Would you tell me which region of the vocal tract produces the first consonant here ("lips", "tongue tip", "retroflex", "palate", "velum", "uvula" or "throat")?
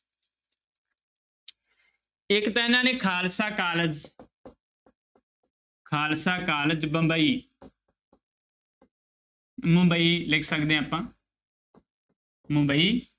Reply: velum